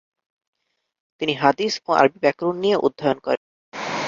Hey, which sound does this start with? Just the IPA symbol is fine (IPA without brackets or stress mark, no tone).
t̪